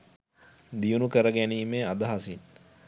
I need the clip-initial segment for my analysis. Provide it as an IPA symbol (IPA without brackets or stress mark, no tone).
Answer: d̪